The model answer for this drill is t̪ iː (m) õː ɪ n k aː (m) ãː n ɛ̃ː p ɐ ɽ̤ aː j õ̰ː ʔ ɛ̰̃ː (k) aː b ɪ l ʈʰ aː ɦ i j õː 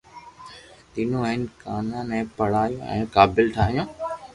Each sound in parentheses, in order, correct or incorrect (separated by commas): incorrect, incorrect, correct